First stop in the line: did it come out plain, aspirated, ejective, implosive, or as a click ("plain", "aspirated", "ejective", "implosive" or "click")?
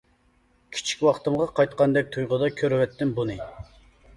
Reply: aspirated